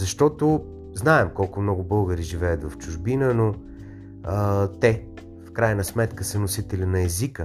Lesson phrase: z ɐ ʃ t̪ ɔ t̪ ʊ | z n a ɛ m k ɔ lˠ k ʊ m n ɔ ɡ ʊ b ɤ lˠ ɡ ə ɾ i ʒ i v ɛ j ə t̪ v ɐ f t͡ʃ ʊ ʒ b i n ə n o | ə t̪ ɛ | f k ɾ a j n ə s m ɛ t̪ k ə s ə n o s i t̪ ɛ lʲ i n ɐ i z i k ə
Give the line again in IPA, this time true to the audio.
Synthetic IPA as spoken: z ɐ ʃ t̪ ɔ t̪ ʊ | z n a ɛ m k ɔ lˠ k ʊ m n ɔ ɡ ʊ b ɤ lˠ ɡ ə ɾ i ʒ i v ɛ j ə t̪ v ɐ f t͡ʃ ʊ ʒ b i n ə n o | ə t̪ ɛ | f k ɾ a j n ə s m ɛ t̪ k ə s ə n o s i t̪ ɛ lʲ i n ɐ ɛ z i k ə